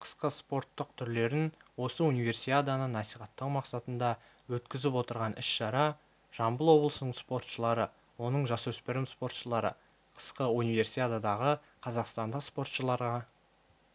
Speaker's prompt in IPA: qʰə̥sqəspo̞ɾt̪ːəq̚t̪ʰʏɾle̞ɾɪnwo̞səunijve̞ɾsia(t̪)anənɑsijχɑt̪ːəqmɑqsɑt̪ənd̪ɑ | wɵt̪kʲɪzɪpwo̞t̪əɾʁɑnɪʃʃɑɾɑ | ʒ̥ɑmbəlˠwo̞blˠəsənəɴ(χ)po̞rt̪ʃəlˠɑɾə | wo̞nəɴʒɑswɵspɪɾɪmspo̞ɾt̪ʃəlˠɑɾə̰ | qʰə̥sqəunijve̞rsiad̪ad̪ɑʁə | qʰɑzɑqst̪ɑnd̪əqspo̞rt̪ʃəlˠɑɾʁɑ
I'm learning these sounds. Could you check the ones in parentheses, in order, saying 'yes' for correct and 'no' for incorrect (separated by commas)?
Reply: no, no